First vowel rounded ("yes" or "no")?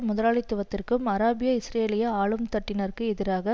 yes